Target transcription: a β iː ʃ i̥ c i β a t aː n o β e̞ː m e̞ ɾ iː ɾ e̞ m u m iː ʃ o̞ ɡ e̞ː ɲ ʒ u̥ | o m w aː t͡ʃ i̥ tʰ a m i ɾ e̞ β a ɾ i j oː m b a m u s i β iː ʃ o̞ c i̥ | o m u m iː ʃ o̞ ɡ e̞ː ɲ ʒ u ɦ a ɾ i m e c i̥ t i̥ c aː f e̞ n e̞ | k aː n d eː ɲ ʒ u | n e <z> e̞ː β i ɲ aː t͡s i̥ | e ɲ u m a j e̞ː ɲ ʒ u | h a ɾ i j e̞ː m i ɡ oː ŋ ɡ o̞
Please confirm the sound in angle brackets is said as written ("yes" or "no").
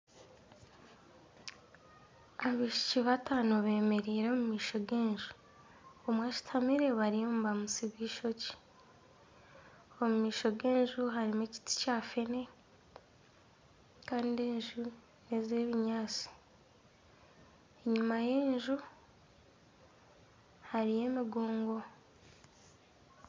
yes